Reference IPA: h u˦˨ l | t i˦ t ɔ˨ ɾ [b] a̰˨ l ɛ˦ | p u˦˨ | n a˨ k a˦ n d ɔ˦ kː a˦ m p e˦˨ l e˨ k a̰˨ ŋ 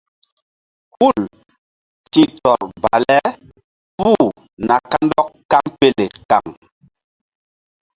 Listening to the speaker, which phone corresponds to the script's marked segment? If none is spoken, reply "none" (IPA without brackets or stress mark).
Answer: b